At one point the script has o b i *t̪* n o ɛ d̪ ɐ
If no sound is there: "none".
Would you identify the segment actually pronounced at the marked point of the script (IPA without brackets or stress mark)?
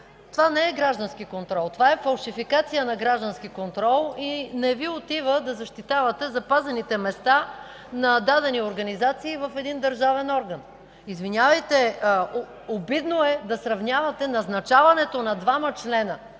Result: d̪